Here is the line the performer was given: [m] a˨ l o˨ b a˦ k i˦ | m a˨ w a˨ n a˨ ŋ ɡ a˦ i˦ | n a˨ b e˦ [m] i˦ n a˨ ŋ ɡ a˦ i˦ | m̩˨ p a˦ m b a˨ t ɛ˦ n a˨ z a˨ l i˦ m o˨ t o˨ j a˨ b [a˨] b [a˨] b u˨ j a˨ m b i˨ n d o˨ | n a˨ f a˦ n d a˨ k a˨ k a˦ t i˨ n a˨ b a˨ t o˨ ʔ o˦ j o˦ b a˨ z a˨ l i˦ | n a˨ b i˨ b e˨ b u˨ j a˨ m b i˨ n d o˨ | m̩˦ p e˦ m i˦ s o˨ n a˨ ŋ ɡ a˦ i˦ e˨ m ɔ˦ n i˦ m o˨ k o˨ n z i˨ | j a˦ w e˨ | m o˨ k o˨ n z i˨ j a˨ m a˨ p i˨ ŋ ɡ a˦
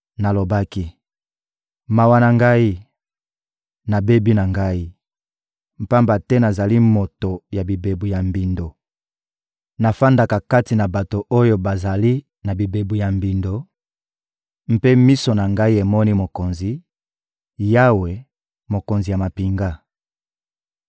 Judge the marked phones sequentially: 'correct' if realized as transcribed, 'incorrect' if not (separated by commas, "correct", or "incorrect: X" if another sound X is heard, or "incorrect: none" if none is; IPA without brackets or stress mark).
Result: incorrect: n, incorrect: b, incorrect: i˨, incorrect: e˨